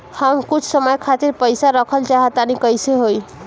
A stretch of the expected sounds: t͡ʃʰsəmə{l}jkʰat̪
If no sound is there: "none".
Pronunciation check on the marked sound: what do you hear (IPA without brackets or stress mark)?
none